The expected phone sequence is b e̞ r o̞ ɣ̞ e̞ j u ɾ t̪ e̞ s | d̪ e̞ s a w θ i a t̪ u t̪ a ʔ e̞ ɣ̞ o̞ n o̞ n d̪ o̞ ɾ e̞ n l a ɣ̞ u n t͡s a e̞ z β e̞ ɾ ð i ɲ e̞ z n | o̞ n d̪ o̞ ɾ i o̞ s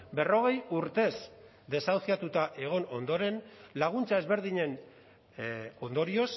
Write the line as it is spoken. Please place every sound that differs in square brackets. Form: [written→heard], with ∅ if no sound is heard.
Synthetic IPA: b e̞ r o̞ ɣ̞ e̞ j u ɾ t̪ e̞ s | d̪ e̞ s a w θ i a t̪ u t̪ a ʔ e̞ ɣ̞ o̞ n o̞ n d̪ o̞ ɾ e̞ n l a ɣ̞ u n t͡s a e̞ z β e̞ ɾ ð i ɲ e̞ [z→∅] n | o̞ n d̪ o̞ ɾ i o̞ s